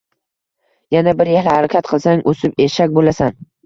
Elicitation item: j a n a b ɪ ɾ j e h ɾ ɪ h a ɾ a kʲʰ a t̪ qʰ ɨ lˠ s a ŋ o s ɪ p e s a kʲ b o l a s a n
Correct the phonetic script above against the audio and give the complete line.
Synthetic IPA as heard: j a n a b ɪ ɾ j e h l ɪ h a ɾ a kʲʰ a t̪ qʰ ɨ lˠ s a ŋ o s ɪ p e ʃ a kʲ b o l a s a n